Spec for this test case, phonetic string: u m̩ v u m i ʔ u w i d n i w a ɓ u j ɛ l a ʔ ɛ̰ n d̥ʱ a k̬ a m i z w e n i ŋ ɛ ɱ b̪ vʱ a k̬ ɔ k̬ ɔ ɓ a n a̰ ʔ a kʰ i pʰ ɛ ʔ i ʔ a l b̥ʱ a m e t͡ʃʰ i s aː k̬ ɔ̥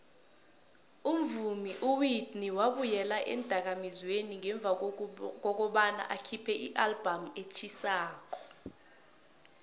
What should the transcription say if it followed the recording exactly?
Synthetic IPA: u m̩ v u m i ʔ u w i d n i w a ɓ u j ɛ l a ʔ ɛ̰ n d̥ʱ a k̬ a m i z w e n i ŋ ɛ ɱ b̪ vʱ a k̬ ɔ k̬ ɔ ɓ a n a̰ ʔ a kʰ i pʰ ɛ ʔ i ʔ a l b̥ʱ a m e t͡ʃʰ i s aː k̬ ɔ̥